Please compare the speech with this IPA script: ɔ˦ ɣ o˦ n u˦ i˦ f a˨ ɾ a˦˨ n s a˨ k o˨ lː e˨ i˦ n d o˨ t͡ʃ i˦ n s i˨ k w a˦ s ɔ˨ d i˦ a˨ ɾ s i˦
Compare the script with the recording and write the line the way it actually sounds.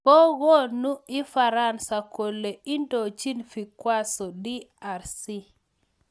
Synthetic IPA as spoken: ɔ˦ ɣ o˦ n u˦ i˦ f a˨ ɾ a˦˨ n s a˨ k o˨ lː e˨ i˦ n d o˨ t͡ʃ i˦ n f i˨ k w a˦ s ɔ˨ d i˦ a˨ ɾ s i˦